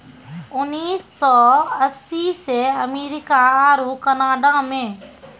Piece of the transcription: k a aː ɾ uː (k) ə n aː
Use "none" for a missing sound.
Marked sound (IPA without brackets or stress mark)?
k